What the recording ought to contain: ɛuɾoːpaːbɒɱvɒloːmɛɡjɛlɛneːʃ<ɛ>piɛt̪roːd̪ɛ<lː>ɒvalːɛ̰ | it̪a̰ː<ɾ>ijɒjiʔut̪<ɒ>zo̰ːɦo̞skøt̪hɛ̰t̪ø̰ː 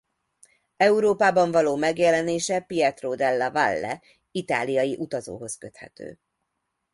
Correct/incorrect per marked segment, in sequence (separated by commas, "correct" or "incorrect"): correct, correct, incorrect, correct